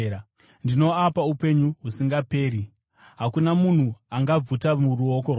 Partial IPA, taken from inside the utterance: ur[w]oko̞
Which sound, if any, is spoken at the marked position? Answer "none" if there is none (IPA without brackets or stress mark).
u